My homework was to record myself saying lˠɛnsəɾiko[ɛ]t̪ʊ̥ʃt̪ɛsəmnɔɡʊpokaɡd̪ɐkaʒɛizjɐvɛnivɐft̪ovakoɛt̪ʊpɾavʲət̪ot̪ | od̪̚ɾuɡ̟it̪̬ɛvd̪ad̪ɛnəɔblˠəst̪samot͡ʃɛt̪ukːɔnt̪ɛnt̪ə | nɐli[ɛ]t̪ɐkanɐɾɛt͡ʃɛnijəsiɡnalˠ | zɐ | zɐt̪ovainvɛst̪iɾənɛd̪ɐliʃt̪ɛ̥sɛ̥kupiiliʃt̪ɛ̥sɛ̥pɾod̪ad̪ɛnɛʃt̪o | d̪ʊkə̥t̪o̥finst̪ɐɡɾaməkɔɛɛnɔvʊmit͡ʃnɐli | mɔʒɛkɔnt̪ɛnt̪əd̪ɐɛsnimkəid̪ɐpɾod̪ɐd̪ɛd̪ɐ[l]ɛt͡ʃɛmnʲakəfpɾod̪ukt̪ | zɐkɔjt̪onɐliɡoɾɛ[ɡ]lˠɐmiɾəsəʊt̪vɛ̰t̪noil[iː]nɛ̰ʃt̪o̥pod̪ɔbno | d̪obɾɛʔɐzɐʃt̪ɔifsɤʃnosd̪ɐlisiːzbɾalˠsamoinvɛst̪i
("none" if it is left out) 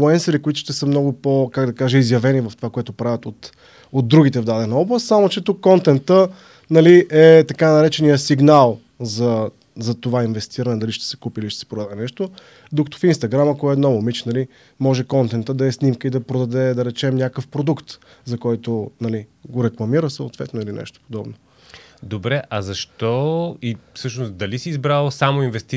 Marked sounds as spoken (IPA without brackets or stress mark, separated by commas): i, ɛ, ɾ, k, i